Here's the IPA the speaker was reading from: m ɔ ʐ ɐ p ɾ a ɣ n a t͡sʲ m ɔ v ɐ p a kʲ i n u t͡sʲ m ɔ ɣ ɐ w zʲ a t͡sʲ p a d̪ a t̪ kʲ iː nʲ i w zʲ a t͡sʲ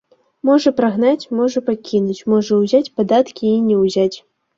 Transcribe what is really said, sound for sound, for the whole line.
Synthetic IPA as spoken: m ɔ ʐ ɐ p ɾ a ɣ n a t͡sʲ m ɔ ʐ ɐ p a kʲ i n u t͡sʲ m ɔ ʐ ɐ w zʲ a t͡sʲ p a d̪ a t̪ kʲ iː nʲ ɛ w zʲ a t͡sʲ